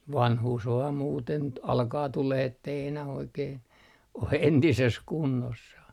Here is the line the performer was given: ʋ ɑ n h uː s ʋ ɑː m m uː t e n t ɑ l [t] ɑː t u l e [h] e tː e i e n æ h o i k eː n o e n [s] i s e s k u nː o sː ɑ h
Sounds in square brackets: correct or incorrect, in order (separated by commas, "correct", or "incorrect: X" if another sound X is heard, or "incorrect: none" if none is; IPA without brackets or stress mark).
incorrect: k, correct, incorrect: t